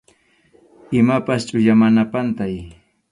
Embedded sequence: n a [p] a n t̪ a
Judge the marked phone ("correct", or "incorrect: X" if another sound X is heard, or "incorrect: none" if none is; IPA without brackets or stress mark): correct